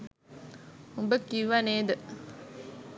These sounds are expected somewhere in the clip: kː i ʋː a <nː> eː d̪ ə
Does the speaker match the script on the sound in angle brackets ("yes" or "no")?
no